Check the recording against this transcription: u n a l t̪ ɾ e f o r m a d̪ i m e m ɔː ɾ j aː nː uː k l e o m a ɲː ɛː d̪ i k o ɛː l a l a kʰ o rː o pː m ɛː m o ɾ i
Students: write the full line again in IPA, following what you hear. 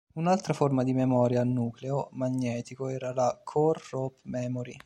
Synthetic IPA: u n a l t̪ ɾ a f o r m a d̪ i m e m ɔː ɾ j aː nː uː k l e o m a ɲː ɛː t̪ i k o ɛː ɾ a l a kʰ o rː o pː m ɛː m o ɾ i